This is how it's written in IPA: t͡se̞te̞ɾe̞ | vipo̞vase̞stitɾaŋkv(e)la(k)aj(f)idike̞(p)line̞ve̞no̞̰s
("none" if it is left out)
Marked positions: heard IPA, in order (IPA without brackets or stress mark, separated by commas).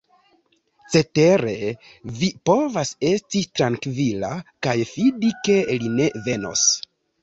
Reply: i, k, f, none